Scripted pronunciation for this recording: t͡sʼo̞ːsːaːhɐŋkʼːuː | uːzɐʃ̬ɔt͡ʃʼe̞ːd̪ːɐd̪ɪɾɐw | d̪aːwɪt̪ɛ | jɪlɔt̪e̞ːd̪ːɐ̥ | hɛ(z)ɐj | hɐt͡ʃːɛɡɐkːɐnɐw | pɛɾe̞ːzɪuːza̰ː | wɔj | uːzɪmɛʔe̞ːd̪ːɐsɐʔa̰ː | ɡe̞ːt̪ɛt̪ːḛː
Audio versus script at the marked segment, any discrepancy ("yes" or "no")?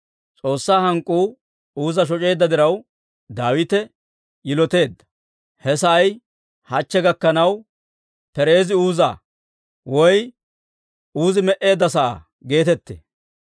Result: yes